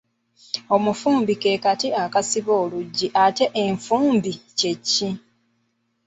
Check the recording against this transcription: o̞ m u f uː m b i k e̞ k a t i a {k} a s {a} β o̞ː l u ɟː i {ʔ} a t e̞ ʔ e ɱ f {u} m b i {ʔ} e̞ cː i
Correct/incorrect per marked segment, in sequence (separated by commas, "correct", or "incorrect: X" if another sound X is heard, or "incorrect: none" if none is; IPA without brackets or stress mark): correct, incorrect: i, correct, incorrect: uː, incorrect: c